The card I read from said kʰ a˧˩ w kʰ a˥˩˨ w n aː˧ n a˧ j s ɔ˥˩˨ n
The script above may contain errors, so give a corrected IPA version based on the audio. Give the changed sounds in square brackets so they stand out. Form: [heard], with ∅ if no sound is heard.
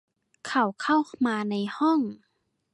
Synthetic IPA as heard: kʰ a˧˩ w kʰ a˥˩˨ w [m] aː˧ n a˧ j [h] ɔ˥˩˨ [ŋ]